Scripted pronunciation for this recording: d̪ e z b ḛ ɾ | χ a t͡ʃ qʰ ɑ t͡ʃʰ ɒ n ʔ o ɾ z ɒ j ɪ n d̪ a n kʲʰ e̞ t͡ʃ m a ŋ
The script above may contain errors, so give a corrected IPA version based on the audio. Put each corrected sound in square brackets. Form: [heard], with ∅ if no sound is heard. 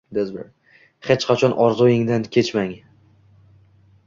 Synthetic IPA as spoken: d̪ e z b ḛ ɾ | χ [e] t͡ʃ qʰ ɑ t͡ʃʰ ɒ n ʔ [ɒ] ɾ z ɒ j ɪ [ŋ] d̪ a n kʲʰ e̞ t͡ʃ m a ŋ